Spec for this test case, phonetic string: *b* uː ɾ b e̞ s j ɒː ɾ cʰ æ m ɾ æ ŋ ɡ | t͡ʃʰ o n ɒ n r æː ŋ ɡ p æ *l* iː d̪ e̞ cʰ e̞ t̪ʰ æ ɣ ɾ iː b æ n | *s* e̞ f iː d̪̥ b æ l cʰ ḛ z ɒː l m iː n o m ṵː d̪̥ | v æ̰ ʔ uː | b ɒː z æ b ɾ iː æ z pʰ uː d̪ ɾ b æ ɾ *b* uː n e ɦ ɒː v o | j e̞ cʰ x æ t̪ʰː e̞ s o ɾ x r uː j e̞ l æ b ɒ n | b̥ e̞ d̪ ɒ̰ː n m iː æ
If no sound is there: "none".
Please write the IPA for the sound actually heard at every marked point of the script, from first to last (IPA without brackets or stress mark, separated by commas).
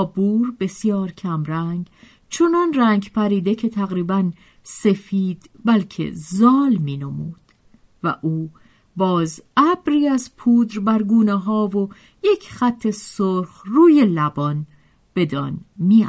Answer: b, ɾ, s, ɡ